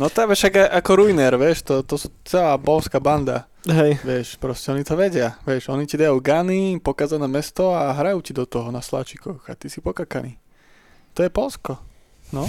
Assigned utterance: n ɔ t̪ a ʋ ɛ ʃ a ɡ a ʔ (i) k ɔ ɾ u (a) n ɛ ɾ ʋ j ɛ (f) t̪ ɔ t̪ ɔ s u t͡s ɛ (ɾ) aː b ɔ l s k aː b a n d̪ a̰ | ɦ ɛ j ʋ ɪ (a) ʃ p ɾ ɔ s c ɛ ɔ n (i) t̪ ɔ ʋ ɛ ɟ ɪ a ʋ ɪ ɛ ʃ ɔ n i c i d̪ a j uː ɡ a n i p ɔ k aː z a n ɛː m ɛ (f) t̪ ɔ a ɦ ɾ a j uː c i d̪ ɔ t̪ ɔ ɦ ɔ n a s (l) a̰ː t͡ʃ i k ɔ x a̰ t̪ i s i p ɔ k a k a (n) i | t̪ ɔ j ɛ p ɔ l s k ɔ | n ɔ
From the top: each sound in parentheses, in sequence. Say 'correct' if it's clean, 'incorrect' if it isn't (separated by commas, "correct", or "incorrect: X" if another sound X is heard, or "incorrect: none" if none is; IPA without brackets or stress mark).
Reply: incorrect: a, incorrect: i, incorrect: ʃ, incorrect: l, incorrect: ɛ, correct, incorrect: s, correct, correct